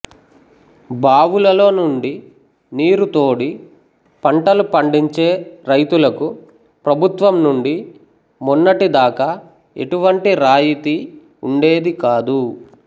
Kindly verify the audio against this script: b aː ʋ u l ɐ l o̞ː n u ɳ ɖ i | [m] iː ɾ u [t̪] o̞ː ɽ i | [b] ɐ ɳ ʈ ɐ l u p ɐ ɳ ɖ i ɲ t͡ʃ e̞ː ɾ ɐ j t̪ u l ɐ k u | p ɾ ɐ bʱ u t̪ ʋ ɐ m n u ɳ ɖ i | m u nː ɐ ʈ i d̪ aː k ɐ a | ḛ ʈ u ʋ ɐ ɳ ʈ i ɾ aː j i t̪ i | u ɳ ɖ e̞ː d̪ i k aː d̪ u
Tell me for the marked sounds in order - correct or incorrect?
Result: incorrect: n, correct, incorrect: p

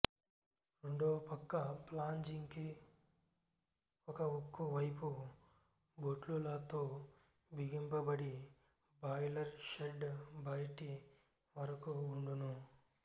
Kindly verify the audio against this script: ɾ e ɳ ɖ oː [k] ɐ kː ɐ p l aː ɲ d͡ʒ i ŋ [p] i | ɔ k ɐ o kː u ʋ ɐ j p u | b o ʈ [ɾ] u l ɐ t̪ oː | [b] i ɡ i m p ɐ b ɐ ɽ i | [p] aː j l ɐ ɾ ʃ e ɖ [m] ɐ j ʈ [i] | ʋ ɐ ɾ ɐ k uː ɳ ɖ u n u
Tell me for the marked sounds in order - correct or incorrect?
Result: incorrect: p, incorrect: k, incorrect: l, correct, incorrect: b, incorrect: b, correct

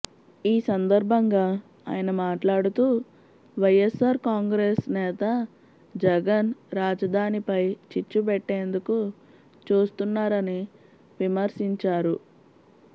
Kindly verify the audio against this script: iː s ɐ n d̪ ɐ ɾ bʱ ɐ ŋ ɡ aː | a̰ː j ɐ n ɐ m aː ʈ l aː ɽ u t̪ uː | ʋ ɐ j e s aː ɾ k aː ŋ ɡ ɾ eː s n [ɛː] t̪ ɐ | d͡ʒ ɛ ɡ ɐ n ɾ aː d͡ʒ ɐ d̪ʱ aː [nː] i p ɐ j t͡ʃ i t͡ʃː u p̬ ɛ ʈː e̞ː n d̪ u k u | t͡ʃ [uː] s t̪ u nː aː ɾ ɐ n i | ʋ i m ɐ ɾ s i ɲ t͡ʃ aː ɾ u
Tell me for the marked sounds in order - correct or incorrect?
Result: correct, incorrect: n, correct

